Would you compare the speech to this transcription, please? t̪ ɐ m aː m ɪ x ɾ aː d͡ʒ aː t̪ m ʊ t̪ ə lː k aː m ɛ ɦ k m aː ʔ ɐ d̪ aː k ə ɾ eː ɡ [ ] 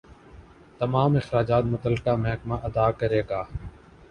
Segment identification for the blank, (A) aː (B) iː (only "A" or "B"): A